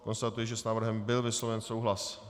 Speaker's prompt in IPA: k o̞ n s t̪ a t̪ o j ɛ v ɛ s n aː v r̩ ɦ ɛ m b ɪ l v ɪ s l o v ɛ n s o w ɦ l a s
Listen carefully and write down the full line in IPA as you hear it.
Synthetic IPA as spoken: k o̞ n s t̪ a t̪ u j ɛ ʒ ɛ s n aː v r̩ ɦ ɛ m b ɪ l v ɪ s l o v ɛ n s o w ɦ l a s